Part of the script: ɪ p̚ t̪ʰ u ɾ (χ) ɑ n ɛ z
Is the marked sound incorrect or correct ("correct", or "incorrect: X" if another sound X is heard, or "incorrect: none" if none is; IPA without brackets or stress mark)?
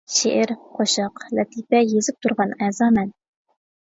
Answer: incorrect: ʁ